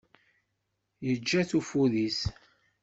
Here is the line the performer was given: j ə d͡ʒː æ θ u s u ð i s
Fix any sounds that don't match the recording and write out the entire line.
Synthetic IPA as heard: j ə d͡ʒː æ θ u f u ð i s